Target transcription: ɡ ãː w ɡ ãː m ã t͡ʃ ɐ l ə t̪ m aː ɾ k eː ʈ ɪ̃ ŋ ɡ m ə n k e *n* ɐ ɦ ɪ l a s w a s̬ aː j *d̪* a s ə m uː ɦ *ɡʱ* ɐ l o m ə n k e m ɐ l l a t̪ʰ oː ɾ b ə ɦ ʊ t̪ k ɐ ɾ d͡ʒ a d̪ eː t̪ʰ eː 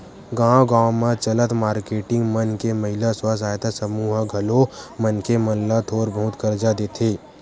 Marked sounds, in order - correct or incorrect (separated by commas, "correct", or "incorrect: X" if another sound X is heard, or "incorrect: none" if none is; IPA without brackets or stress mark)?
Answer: incorrect: m, incorrect: t̪, correct